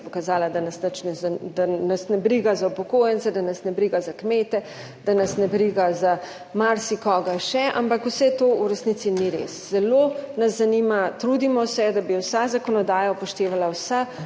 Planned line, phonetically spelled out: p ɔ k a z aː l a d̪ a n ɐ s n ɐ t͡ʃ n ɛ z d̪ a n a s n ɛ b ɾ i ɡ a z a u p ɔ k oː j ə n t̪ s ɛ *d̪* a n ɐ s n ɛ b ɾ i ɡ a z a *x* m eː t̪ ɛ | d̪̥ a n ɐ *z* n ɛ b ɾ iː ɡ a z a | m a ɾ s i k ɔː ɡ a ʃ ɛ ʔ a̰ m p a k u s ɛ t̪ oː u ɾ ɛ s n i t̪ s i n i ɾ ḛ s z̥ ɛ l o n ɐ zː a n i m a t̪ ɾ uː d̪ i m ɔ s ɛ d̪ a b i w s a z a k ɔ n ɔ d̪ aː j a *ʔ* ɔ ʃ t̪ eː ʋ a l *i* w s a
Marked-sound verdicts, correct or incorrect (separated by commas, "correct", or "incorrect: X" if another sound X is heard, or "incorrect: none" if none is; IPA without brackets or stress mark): correct, incorrect: k, incorrect: s, incorrect: p, incorrect: a